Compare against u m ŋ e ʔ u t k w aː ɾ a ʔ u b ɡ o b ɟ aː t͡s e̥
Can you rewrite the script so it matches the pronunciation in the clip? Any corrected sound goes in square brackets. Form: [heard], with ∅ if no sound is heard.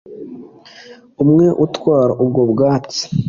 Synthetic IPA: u m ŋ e ʔ u t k w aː ɾ a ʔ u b ɡ o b [ɡ] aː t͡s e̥

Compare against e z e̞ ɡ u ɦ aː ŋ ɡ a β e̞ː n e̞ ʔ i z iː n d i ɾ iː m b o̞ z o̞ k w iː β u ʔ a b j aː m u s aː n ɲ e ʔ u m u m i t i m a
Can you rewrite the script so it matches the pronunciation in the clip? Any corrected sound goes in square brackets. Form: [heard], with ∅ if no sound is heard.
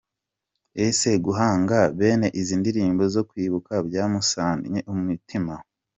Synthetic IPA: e [s] e̞ ɡ u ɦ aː ŋ ɡ a β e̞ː n e̞ ʔ i z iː n d i ɾ iː m b o̞ z o̞ k w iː β u [k] a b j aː m u s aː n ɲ e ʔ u m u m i t i m a

